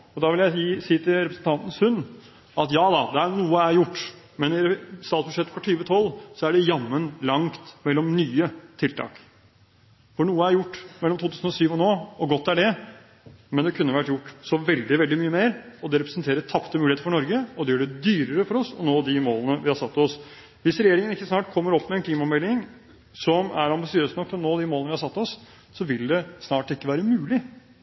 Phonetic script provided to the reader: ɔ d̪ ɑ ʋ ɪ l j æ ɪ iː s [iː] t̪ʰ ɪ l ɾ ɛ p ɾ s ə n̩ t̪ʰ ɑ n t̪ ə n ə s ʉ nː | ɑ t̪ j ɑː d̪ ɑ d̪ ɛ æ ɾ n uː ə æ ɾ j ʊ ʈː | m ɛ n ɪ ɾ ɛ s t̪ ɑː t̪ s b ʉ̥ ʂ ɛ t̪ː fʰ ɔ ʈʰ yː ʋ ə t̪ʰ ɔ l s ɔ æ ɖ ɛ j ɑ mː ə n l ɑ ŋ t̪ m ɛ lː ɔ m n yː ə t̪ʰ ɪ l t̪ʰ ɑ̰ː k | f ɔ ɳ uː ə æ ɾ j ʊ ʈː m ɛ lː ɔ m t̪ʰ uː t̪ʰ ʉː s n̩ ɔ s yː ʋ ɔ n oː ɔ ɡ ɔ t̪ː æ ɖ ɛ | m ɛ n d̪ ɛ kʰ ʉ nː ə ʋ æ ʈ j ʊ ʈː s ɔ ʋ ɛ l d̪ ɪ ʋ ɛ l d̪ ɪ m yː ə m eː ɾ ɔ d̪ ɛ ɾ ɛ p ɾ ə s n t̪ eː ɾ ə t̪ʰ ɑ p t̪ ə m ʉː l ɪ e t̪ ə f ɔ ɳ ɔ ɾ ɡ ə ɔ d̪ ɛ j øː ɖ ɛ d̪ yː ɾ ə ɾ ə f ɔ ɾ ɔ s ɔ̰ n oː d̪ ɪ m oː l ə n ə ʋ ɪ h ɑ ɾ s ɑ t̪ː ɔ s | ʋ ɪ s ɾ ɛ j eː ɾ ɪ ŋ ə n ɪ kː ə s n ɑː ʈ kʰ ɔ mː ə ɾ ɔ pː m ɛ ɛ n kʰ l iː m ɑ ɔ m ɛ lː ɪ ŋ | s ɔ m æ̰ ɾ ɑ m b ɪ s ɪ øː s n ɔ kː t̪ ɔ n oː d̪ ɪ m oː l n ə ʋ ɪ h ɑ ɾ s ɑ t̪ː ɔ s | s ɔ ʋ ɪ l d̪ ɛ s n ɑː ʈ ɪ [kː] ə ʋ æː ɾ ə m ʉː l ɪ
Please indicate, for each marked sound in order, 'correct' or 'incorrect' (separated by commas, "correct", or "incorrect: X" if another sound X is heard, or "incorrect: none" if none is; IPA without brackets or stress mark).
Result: correct, correct